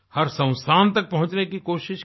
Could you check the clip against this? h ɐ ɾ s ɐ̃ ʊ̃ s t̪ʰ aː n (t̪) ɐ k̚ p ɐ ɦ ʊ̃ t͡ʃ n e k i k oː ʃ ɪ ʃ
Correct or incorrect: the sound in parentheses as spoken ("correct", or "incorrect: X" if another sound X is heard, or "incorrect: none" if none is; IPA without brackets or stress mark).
correct